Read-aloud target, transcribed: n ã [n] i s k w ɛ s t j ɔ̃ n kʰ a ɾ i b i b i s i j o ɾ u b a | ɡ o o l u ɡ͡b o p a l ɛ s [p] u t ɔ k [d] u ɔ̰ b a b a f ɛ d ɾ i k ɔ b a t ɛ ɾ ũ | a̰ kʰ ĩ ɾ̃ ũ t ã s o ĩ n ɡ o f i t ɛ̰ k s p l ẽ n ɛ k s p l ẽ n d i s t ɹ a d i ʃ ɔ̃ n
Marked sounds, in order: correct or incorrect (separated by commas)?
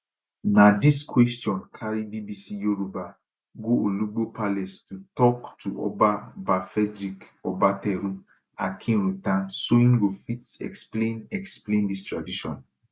incorrect, incorrect, incorrect